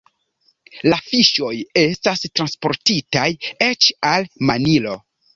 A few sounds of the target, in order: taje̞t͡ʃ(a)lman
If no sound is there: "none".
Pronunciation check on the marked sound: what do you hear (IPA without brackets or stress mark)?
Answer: a